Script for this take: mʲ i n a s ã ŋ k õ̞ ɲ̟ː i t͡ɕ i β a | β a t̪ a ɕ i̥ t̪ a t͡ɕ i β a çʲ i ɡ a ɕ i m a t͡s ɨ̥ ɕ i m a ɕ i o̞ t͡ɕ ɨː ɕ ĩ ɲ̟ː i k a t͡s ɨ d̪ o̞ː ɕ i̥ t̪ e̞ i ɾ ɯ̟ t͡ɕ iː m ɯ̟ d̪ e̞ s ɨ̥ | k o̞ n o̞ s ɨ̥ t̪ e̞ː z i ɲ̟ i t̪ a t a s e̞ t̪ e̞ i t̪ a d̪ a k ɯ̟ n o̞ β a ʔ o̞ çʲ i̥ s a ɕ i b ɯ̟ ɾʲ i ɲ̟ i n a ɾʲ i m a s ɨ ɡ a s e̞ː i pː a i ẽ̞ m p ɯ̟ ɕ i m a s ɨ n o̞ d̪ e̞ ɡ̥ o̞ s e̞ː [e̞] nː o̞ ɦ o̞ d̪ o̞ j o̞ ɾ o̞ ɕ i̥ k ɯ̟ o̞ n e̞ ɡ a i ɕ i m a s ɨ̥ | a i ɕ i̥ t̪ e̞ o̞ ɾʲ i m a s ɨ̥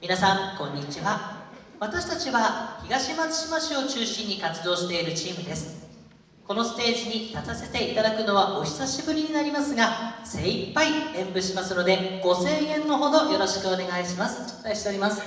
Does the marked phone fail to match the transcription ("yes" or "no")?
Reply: yes